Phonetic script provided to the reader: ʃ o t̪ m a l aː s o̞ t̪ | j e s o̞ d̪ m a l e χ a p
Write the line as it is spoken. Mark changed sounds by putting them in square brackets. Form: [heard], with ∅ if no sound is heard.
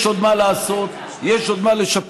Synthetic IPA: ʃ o [d̪] m a l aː s o̞ t̪ | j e [ʃ] o̞ d̪ m a l e [ʃ] a p